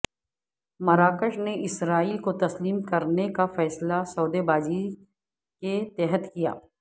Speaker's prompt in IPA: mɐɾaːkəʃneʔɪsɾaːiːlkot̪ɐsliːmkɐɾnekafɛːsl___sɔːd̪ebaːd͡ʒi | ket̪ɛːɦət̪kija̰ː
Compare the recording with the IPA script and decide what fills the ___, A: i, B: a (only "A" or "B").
B